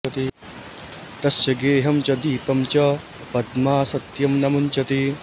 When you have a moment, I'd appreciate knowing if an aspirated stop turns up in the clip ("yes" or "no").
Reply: no